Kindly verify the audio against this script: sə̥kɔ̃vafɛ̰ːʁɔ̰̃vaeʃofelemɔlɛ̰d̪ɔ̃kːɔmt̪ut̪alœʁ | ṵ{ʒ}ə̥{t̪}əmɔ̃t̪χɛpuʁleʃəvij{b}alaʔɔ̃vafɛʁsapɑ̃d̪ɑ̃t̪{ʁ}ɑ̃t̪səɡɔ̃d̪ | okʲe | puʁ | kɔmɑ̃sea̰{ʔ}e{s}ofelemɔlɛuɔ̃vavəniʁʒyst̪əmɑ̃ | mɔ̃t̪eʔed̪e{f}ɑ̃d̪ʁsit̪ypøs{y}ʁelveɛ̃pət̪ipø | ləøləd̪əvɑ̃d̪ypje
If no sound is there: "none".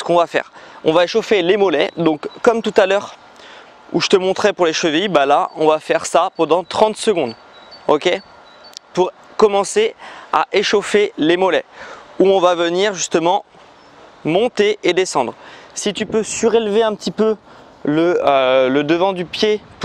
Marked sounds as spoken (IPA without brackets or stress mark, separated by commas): ʒ, t̪, b, χ, ʔ, ʃ, s, y